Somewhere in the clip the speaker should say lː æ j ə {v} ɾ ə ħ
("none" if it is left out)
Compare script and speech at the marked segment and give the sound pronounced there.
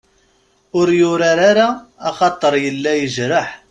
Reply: ʒ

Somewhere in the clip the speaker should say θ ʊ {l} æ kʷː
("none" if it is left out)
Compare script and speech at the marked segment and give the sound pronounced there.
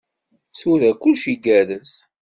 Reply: ɾ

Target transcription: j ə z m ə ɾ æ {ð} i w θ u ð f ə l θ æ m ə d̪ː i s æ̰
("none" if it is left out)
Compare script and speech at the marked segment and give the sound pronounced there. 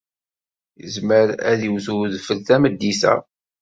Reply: ð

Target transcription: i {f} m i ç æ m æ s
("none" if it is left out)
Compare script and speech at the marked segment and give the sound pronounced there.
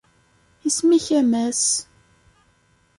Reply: s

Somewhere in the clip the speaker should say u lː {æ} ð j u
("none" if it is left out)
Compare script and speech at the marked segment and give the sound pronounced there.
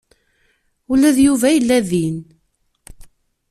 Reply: æ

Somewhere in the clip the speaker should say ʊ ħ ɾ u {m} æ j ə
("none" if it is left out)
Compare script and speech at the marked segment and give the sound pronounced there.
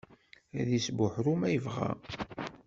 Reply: m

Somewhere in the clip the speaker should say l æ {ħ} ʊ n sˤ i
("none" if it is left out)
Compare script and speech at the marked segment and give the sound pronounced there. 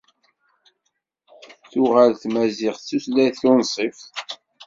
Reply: θ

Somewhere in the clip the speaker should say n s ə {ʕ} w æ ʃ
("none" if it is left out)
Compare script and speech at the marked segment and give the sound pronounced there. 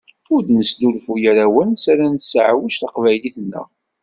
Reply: ʕ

